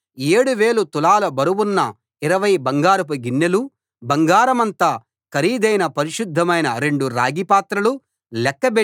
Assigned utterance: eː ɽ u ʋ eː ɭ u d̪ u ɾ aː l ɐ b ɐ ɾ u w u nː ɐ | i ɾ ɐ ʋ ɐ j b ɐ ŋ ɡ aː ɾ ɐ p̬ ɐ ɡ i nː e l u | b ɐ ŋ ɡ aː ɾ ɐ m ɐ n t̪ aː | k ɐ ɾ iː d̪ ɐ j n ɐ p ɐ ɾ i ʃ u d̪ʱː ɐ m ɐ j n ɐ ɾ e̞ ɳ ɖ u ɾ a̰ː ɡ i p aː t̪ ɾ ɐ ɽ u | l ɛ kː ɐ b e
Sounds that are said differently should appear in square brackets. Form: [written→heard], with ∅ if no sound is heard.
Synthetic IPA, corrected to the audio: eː ɽ u ʋ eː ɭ u [d̪→t̪] u [ɾ→l] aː l ɐ b ɐ ɾ u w u nː ɐ | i ɾ ɐ ʋ ɐ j b ɐ ŋ ɡ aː ɾ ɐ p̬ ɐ ɡ i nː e l u | b ɐ ŋ ɡ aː ɾ ɐ m ɐ n t̪ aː | k ɐ ɾ iː d̪ ɐ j n ɐ p ɐ ɾ i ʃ u d̪ʱː ɐ m ɐ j n ɐ ɾ e̞ ɳ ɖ u ɾ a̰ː ɡ i p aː t̪ ɾ ɐ [ɽ→l] u | l ɛ kː ɐ b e